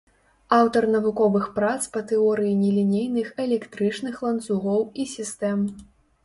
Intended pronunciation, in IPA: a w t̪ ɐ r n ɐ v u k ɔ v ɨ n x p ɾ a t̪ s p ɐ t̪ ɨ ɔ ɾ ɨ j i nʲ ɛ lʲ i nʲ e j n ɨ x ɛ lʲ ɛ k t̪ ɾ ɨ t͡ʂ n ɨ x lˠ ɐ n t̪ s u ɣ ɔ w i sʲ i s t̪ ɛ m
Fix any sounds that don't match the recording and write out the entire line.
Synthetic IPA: a w t̪ ɐ r n ɐ v u k ɔ v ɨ x p ɾ a t̪ s p ɐ t̪ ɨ ɔ ɾ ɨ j i nʲ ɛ lʲ i nʲ e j n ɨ x ɛ lʲ ɛ k t̪ ɾ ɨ t͡ʂ n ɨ x lˠ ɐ n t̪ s u ɣ ɔ w i sʲ i s t̪ ɛ m

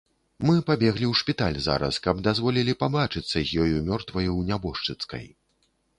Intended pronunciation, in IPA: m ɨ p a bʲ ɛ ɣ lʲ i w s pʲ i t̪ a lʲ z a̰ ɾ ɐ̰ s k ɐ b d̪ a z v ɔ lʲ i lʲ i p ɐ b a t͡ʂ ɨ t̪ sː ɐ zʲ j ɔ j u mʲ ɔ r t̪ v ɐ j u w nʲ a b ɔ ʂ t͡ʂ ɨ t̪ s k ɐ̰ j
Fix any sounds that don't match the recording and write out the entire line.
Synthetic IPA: m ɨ p a bʲ ɛ ɣ lʲ i w ʂ pʲ i t̪ a lʲ z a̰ ɾ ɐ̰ s k ɐ b d̪ a z v ɔ lʲ i lʲ i p a b a t͡ʂ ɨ t̪ sː ɐ zʲ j ɔ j u mʲ ɔ r t̪ v ɐ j u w nʲ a b ɔ ʂ t͡ʂ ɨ t̪ s k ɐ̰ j

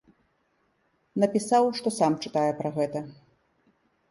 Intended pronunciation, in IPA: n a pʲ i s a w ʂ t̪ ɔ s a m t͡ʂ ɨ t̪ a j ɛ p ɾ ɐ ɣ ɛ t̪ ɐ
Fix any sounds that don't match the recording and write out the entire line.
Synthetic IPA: n ɐ pʲ i s a w ʂ t̪ ɔ s a m t͡ʂ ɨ t̪ a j ɛ p ɾ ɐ ɣ ɛ t̪ ɐ

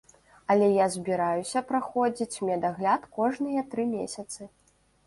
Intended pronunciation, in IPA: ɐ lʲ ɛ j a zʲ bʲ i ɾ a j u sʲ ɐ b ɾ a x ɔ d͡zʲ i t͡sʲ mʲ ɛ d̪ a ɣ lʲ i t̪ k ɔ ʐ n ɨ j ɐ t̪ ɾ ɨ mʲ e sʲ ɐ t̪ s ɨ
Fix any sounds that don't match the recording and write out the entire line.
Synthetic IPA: ɐ lʲ ɛ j a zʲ bʲ i ɾ a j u sʲ ɐ p ɾ a x ɔ d͡zʲ i t͡sʲ mʲ ɛ d̪ a ɣ lʲ a t̪ k ɔ ʐ n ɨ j ɐ t̪ ɾ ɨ mʲ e sʲ ɐ t̪ s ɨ

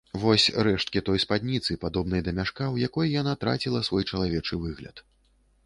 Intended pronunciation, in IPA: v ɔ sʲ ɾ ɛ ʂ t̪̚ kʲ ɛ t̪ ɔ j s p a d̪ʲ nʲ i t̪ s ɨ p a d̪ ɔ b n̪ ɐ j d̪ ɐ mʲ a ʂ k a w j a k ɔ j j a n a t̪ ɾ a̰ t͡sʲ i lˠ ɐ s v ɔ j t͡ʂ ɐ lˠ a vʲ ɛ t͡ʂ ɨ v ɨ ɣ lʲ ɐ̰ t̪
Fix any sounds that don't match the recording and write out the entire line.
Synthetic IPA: v ɔ sʲ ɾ ɛ ʂ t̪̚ kʲ i t̪ ɔ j s p a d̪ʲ nʲ i t̪ s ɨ p a d̪ ɔ b n̪ ɐ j d̪ ɐ mʲ a ʂ k a w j a k ɔ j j a n a t̪ ɾ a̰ t͡sʲ i lˠ ɐ s v ɔ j t͡ʂ ɐ lˠ a vʲ ɛ t͡ʂ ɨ v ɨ ɣ lʲ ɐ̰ t̪

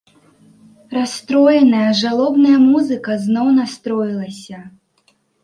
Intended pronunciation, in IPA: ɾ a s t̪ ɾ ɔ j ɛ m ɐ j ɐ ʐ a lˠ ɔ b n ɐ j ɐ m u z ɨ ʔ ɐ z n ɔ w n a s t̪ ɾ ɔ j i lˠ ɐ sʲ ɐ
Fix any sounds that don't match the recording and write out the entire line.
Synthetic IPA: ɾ a s t̪ ɾ ɔ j ɛ n ɐ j ɐ ʐ a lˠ ɔ b n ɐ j ɐ m u z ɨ k ɐ z n ɔ w n a s t̪ ɾ ɔ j i lˠ ɐ sʲ ɐ

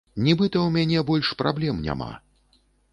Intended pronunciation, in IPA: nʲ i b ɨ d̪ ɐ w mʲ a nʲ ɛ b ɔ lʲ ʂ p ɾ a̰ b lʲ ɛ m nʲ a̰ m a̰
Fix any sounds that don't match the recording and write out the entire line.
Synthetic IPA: nʲ i b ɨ t̪ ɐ w mʲ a nʲ ɛ b ɔ lʲ ʂ p ɾ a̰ b lʲ ɛ m nʲ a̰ m a̰

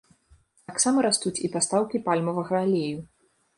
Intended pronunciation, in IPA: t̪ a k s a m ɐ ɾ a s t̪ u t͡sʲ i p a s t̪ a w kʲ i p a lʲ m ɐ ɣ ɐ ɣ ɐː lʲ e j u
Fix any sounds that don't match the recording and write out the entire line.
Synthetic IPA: t̪ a k s a m ɐ ɾ a s t̪ u t͡sʲ i p a s t̪ a w kʲ i p a lʲ m ɐ v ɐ ɣ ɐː lʲ e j u

